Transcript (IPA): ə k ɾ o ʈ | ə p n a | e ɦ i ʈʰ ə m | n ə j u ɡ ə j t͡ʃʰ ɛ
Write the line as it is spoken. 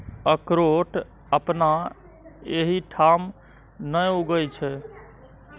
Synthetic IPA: ə k ɾ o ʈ | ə p n a | e ɦ i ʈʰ a m | n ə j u ɡ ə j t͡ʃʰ ɛ

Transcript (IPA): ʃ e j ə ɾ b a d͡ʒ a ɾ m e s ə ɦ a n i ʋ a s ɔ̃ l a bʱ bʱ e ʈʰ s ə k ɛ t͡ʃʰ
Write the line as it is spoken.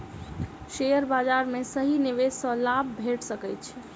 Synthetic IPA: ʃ e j ə ɾ b a d͡ʒ a ɾ m e s ə ɦ i n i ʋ e s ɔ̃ l a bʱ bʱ e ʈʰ s ə k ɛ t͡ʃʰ

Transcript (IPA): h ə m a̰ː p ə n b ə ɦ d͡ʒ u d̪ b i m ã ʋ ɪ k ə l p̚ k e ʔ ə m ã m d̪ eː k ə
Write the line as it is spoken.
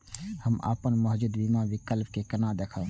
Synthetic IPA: h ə m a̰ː p ə n m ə ɦ d͡ʒ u d̪ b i m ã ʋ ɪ k ə l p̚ k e k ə n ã d̪ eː kʰ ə

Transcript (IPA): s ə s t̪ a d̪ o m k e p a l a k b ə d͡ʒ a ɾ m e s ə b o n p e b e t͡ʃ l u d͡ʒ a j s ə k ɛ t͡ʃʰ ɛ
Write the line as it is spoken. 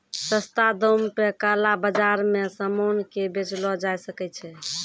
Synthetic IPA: s ə s t̪ a d̪ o m p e k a l a b ə d͡ʒ a ɾ m e s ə m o n k e b e t͡ʃ l ɔ d͡ʒ a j s ə k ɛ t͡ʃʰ ɛ

